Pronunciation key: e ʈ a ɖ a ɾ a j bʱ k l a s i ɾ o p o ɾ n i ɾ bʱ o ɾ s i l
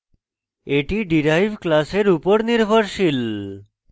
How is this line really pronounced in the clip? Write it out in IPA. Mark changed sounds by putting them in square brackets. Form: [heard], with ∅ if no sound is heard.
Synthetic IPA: e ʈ [i] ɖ [i] ɾ a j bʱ k l a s [e] ɾ [u] p o ɾ n i ɾ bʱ o ɾ [ʃ] i l